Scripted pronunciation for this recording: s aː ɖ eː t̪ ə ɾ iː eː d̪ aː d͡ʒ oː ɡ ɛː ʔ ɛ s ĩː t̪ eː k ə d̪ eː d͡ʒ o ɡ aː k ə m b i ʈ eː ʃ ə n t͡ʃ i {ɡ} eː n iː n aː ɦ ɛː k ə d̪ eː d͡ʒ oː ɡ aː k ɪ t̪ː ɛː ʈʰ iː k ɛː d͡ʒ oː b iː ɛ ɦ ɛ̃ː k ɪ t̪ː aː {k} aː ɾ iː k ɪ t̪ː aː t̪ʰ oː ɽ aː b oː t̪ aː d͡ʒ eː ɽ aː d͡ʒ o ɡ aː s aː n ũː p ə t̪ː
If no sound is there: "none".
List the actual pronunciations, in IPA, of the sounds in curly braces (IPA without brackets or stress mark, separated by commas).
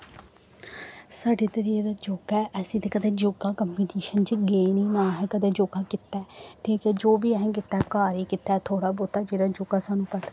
ɡ, k